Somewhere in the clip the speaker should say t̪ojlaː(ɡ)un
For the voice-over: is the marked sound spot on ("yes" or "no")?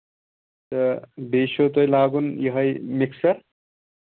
yes